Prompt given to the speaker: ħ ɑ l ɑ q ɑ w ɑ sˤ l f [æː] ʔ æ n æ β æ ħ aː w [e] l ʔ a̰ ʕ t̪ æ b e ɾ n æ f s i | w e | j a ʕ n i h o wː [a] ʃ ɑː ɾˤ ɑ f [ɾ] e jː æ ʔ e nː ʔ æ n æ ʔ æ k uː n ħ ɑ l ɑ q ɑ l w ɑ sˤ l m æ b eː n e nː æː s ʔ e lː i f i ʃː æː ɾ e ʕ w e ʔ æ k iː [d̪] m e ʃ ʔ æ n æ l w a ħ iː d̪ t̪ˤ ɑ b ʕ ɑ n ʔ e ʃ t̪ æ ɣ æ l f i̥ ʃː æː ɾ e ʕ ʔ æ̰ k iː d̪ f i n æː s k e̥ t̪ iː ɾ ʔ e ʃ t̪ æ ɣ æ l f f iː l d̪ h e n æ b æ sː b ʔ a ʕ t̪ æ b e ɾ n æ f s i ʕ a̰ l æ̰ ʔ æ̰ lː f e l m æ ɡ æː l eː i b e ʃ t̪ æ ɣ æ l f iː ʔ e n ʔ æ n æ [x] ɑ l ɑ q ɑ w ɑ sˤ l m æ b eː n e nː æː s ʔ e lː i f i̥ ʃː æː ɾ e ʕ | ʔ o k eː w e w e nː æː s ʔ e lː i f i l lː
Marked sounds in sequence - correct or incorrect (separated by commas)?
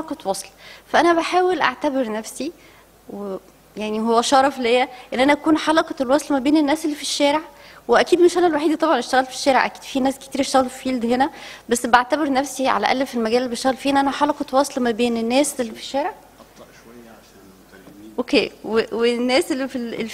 incorrect, correct, incorrect, incorrect, correct, incorrect